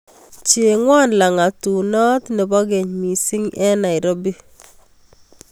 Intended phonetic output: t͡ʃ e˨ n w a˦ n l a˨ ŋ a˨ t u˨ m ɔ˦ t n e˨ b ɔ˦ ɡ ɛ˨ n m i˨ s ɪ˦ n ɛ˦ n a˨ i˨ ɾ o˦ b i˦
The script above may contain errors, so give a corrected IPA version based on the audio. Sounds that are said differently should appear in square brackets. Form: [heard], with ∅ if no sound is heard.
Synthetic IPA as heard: t͡ʃ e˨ [ŋ] w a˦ n l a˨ ŋ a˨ t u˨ [n] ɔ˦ t n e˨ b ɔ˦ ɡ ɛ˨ [ɲ] m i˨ s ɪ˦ [ŋ] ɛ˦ n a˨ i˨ ɾ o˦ b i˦